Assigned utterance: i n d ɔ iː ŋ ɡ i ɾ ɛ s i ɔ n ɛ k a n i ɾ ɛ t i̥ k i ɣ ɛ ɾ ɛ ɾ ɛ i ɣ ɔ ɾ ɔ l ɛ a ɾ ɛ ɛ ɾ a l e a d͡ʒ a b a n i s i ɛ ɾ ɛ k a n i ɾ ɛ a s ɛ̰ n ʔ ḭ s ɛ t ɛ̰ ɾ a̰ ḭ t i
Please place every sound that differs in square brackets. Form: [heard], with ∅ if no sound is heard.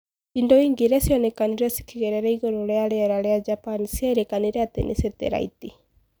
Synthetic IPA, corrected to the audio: i n d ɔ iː ŋ ɡ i ɾ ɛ s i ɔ n ɛ k a n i ɾ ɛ [s] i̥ k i ɣ ɛ ɾ ɛ ɾ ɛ i ɣ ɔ ɾ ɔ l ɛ a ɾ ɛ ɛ ɾ a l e a d͡ʒ a [p] a n i s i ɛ ɾ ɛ k a n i ɾ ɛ a [t] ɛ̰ n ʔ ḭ s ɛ t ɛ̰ ɾ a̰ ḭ t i